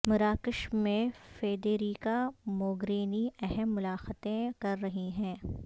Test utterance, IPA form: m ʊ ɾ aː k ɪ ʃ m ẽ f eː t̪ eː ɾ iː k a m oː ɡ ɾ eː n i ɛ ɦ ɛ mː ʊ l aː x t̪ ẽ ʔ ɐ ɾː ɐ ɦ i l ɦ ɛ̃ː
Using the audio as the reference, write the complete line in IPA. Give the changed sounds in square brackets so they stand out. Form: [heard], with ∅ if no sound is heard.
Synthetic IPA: m ʊ ɾ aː k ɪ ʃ m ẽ f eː [d̪] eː ɾ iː k a m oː ɡ ɾ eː n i ɛ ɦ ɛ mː ʊ l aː x t̪ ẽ [k] ɐ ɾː ɐ ɦ i [∅] ɦ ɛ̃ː